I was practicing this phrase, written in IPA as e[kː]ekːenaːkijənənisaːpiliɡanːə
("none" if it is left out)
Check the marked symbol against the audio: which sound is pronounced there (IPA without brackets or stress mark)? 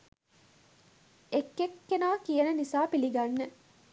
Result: kː